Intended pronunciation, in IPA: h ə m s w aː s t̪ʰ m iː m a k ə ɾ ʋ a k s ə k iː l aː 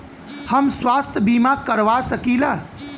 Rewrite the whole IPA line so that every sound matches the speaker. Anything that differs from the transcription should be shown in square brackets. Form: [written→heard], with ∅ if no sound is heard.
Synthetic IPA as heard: h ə m s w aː s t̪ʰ [m→b] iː m a k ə ɾ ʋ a [k→∅] s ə k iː l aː